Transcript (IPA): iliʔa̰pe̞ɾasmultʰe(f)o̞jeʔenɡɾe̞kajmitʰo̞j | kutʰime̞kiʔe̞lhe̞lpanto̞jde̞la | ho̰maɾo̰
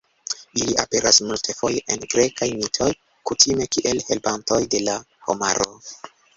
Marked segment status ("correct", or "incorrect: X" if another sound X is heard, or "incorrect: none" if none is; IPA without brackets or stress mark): correct